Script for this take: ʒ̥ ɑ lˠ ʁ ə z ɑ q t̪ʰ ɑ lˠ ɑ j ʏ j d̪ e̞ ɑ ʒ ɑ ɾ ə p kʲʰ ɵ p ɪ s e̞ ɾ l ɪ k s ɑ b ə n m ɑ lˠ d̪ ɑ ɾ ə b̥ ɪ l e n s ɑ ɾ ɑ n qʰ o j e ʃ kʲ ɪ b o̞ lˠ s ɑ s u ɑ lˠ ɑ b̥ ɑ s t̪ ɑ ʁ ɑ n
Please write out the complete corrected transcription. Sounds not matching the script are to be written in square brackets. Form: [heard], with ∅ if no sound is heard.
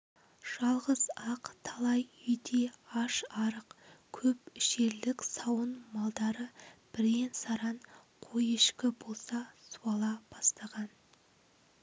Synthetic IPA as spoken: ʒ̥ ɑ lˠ ʁ ə z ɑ q t̪ʰ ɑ lˠ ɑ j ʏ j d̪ e̞ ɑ [ʃ] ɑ ɾ ə [q] kʲʰ ɵ p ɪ [ʃ] e̞ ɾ l ɪ k s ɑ [w] ə n m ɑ lˠ d̪ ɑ ɾ ə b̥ ɪ [ɾ] e n s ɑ ɾ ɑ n qʰ o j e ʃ kʲ ɪ b o̞ lˠ s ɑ s u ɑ lˠ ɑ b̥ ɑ s t̪ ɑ ʁ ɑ n

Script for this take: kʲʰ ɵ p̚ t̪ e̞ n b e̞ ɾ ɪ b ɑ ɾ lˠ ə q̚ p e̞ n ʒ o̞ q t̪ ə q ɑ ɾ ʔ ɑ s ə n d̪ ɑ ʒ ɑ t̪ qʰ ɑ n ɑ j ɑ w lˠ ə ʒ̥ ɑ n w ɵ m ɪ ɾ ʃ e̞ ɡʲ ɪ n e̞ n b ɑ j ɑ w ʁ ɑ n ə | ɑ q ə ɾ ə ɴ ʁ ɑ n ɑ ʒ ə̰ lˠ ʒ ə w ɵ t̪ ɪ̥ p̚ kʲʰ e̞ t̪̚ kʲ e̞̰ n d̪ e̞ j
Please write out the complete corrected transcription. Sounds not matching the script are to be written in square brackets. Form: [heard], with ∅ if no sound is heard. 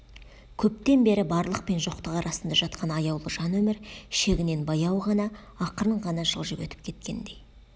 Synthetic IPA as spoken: kʲʰ ɵ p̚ t̪ e̞ n b e̞ ɾ ɪ b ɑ ɾ lˠ ə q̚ p e̞ n ʒ o̞ q t̪ ə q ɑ ɾ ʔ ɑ s ə n d̪ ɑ ʒ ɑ t̪ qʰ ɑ n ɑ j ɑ w lˠ ə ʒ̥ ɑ n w ɵ m ɪ ɾ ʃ e̞ ɡʲ ɪ n e̞ n b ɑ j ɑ w ʁ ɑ n [ɑ] | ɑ q ə ɾ ə ɴ ʁ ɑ n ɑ ʒ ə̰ lˠ ʒ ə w ɵ t̪ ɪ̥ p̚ kʲʰ e̞ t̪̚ kʲ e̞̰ n d̪ e̞ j

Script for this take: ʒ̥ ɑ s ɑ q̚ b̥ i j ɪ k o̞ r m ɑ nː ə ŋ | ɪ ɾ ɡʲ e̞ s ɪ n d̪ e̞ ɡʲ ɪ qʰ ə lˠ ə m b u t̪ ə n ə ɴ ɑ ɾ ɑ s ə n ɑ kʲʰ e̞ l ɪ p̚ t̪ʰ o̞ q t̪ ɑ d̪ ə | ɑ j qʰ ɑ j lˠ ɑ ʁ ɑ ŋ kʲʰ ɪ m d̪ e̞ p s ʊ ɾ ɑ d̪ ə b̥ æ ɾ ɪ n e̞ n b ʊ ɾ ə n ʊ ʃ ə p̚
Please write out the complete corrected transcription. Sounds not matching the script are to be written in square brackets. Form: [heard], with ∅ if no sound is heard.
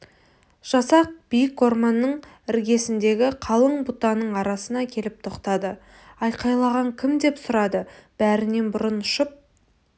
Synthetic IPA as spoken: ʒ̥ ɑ s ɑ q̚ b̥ i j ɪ k o̞ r m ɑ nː ə [ɴ] | ɪ ɾ ɡʲ e̞ s ɪ n d̪ e̞ ɡʲ ɪ qʰ [ɑ] lˠ ə [ɴ] b u t̪ [ɑ] n ə ɴ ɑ ɾ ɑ s ə n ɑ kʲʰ e̞ l ɪ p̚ t̪ʰ o̞ q t̪ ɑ d̪ ə | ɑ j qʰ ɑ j lˠ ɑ ʁ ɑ ŋ kʲʰ ɪ m d̪ e̞ p s ʊ ɾ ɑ d̪ ə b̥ æ ɾ ɪ n e̞ n b ʊ ɾ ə n ʊ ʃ ə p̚

